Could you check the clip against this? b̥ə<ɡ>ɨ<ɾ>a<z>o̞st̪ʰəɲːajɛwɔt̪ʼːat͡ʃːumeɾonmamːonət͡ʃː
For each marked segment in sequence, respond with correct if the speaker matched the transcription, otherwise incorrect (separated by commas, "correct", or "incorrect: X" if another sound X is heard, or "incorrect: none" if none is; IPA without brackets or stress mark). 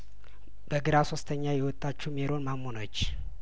correct, correct, incorrect: s